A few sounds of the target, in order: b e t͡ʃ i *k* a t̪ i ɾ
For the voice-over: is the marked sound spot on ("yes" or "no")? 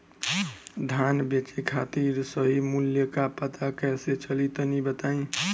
no